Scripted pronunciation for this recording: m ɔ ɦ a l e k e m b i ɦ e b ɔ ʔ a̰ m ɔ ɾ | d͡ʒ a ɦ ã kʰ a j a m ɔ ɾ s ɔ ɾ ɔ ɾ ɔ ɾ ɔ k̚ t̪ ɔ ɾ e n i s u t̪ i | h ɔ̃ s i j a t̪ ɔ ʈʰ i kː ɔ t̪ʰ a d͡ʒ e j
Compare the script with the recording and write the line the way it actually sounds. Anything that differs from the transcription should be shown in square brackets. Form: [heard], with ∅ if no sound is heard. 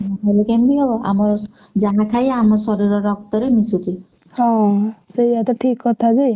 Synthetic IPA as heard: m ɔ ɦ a l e k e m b i ɦ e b ɔ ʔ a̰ m ɔ ɾ | d͡ʒ a ɦ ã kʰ a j a m ɔ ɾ s ɔ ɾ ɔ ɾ ɔ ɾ ɔ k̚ t̪ ɔ ɾ e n i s u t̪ i | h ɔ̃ s [e] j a t̪ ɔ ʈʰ i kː ɔ t̪ʰ a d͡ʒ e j

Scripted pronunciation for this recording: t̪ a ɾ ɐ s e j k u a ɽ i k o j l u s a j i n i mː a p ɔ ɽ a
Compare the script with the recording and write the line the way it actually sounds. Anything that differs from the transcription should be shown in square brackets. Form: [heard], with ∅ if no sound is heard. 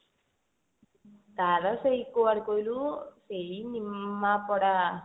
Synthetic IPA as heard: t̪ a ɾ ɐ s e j k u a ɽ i k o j l u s [e] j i n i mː a p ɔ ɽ a

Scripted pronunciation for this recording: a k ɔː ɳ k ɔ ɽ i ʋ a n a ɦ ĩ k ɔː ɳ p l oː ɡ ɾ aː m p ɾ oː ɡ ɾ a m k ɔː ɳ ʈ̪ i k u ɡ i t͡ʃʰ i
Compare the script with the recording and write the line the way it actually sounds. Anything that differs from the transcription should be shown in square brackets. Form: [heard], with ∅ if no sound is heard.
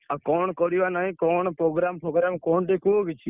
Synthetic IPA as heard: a k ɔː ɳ k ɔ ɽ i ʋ a n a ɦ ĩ k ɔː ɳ p [ɾ] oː ɡ ɾ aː m p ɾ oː ɡ ɾ a m k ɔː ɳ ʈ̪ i k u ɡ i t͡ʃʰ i

